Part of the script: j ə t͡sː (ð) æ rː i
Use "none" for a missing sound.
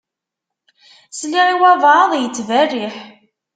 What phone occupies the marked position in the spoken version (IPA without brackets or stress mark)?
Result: v